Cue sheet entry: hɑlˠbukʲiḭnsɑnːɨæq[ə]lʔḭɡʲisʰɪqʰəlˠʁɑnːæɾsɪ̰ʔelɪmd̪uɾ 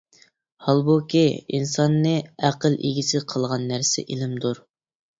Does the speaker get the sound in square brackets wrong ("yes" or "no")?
no